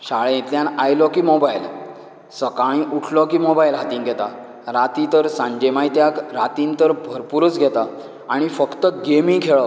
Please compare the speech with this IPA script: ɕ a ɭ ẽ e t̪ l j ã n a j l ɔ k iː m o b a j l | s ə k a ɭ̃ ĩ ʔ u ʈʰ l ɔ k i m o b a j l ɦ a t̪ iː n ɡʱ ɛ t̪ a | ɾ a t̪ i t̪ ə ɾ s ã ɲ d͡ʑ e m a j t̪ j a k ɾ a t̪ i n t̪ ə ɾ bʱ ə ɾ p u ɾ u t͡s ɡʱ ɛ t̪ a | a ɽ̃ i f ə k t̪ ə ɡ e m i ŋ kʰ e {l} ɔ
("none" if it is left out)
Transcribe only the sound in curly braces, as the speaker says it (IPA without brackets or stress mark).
ɭ